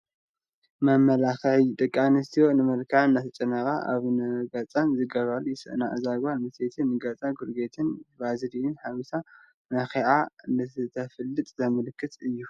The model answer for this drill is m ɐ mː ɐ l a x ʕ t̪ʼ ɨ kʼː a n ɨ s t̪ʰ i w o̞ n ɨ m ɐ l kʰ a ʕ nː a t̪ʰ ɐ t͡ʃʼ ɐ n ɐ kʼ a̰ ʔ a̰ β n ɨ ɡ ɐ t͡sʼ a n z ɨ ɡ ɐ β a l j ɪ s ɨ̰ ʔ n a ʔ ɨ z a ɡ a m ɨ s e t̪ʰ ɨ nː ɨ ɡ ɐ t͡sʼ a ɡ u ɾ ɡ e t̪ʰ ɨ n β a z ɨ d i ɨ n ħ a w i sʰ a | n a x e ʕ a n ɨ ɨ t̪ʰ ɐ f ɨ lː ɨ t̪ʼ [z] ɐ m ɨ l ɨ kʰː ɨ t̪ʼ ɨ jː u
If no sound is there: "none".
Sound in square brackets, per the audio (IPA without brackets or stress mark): z